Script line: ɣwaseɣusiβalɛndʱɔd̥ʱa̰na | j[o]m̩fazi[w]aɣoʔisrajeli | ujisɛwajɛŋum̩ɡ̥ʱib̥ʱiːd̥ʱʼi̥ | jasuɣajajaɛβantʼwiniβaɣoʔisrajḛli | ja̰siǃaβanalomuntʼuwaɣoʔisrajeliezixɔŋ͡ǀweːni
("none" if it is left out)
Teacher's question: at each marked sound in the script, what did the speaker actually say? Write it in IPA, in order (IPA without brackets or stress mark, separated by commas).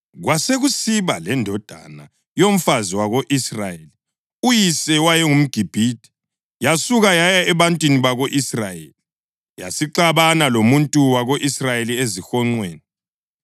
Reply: o, w